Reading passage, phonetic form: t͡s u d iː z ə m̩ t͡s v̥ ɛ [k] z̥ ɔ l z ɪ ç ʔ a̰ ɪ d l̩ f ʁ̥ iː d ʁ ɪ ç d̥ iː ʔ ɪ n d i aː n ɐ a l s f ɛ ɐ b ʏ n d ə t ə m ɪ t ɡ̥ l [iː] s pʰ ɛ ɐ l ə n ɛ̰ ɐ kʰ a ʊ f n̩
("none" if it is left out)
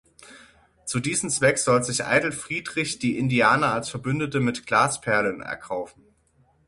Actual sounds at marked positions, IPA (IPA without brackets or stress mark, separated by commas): k, aː